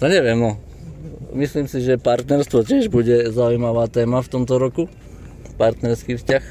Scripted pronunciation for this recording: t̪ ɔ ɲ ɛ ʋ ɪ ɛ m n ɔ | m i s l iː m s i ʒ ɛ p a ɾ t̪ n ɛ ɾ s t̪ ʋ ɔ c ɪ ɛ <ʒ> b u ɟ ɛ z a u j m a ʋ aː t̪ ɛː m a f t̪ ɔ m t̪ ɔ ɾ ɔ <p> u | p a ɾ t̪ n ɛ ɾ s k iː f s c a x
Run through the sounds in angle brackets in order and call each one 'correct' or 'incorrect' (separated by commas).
correct, incorrect